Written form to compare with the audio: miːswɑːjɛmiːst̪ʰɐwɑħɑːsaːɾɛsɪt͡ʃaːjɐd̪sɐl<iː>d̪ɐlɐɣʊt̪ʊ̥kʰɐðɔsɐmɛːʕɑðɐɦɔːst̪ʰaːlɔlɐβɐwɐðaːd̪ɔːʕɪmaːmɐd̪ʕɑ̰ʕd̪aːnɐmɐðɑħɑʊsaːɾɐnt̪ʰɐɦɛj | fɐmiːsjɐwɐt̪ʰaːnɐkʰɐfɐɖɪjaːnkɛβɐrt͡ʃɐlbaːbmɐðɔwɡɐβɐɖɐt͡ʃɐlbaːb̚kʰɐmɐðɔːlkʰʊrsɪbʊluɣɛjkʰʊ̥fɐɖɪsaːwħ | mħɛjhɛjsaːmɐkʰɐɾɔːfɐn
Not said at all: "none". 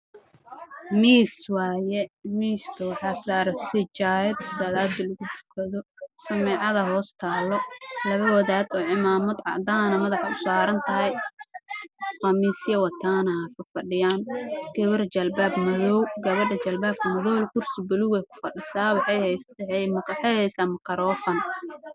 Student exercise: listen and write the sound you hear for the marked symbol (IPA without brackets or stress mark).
aː